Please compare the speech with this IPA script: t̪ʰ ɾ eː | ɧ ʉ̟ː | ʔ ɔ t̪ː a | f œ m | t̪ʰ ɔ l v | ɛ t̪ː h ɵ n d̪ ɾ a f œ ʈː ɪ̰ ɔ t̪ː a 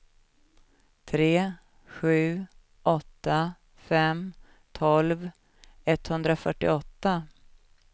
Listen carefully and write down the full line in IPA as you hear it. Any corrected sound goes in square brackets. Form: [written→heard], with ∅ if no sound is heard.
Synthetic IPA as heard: t̪ʰ ɾ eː | ɧ ʉ̟ː | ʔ ɔ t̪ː a | f [œ→ɛ] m | t̪ʰ ɔ l v | ɛ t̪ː h ɵ n d̪ ɾ a f œ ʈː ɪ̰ ɔ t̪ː a